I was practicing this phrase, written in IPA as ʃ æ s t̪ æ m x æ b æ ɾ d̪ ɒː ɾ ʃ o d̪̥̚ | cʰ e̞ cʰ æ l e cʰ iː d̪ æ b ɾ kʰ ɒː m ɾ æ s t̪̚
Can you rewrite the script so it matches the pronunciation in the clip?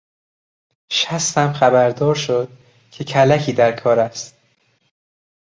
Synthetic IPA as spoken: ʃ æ s t̪ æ m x æ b æ ɾ d̪ ɒː ɾ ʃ o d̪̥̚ | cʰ e̞ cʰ æ l æ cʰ iː d̪ æ ɾ kʰ ɒː ɾ æ s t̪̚